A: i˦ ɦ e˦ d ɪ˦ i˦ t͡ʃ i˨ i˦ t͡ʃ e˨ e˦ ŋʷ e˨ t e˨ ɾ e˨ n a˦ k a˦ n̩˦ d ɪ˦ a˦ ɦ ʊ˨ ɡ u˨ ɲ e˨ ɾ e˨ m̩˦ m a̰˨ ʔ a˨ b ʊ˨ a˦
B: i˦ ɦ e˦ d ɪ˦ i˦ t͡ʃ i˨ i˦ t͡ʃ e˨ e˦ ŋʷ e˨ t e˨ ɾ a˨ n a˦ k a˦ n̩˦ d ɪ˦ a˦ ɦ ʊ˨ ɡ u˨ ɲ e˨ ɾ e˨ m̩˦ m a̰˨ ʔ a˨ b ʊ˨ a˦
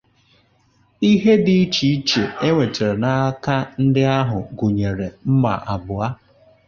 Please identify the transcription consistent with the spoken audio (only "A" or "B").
A